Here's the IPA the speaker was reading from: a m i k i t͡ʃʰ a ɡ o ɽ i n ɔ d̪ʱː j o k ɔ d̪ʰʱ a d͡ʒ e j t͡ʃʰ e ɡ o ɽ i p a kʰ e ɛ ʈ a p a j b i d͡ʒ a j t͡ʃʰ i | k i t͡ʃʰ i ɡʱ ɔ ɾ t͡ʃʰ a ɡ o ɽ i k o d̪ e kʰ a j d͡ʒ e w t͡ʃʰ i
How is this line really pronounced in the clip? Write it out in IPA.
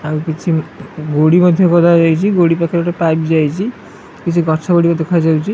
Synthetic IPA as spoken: a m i k i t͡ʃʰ i ɡ o ɽ i m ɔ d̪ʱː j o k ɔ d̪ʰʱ a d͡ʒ a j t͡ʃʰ i ɡ o ɽ i p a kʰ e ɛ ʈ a p a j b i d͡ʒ a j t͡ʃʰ i | k i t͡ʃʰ i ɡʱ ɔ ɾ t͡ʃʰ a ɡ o ɽ i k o d̪ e kʰ a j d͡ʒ a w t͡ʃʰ i